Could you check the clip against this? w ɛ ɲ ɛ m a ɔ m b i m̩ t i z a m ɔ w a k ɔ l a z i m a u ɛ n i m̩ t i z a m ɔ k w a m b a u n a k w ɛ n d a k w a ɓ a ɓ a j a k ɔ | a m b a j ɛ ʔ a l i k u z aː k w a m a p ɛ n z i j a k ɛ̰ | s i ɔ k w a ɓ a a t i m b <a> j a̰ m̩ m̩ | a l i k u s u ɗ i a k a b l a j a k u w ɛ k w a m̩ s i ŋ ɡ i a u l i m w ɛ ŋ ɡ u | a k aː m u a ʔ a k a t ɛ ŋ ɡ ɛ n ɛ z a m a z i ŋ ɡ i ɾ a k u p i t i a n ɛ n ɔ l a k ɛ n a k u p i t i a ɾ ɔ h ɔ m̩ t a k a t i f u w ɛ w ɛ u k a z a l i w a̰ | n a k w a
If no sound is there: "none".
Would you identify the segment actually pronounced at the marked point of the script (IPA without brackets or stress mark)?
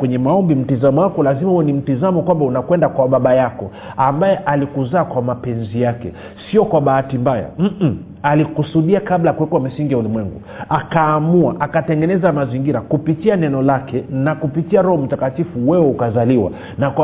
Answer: a